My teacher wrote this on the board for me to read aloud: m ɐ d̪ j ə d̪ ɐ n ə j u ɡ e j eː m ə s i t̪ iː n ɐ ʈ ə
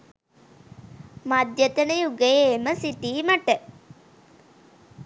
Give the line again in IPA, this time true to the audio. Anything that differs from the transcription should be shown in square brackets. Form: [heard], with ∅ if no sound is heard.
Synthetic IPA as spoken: m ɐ d̪ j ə [t̪] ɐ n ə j u ɡ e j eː m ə s i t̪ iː [m] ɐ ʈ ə